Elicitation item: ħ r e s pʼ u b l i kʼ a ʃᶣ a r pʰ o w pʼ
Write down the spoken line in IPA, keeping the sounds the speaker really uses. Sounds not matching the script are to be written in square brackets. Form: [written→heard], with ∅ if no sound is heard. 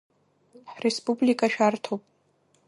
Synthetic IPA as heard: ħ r e s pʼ u b l i kʼ a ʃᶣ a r [pʰ→tʰ] o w pʼ